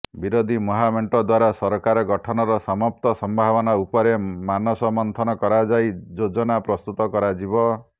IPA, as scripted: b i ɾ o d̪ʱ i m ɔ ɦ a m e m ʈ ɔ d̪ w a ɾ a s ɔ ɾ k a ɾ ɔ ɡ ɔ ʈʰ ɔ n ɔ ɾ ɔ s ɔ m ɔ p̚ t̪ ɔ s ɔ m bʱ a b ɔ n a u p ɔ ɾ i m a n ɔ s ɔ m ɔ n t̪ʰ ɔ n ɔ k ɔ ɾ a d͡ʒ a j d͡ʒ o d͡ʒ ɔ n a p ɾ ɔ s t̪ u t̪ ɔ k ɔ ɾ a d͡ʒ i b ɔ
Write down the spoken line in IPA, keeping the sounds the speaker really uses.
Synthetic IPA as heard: b i ɾ o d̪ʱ i m ɔ ɦ a m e ɳ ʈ ɔ d̪ w a ɾ a s ɔ ɾ k a ɾ ɔ ɡ ɔ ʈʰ ɔ n ɔ ɾ ɔ s ɔ m ɔ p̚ t̪ ɔ s ɔ m bʱ a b ɔ n a u p ɔ ɾ e m a n ɔ s ɔ m ɔ n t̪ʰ ɔ n ɔ k ɔ ɾ a d͡ʒ a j d͡ʒ o d͡ʒ ɔ n a p ɾ ɔ s t̪ u t̪ ɔ k ɔ ɾ a d͡ʒ i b ɔ